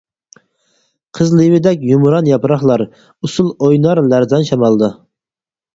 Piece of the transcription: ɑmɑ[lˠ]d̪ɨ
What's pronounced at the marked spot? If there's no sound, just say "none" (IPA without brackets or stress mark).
lˠ